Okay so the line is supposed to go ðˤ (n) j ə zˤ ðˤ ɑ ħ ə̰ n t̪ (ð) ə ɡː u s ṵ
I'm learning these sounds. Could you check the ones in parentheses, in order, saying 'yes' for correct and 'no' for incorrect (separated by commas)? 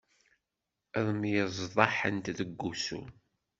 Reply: no, yes